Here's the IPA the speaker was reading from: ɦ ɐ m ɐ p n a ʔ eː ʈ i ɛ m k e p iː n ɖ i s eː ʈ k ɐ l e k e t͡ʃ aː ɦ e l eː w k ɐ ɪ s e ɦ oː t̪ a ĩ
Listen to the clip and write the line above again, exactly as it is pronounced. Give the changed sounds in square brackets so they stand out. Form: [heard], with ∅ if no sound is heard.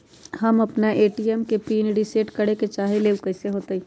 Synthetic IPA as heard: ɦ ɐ m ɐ p n a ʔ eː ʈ i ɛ m k e p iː n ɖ i s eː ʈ k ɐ [ɽ] e k e t͡ʃ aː ɦ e l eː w k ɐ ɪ s e ɦ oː t̪ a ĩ